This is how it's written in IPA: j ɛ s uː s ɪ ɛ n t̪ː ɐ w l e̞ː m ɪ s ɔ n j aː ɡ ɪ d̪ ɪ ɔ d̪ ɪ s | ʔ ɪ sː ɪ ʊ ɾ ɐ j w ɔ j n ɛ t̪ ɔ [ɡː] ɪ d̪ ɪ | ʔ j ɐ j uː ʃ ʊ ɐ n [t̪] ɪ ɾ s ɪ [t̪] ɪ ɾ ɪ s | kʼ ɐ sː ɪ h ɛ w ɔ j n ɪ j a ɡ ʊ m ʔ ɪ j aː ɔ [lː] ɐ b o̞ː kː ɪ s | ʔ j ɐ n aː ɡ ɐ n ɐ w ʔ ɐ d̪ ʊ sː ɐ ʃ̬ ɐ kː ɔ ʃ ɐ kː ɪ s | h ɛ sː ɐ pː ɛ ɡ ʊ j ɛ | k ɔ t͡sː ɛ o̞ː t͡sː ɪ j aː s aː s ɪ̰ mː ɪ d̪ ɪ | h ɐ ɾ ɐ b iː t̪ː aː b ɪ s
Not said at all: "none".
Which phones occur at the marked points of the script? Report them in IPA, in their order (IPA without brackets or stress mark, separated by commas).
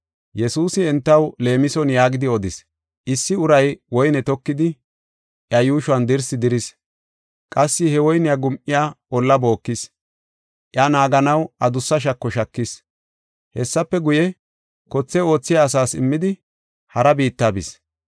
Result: kː, d̪, d̪, lː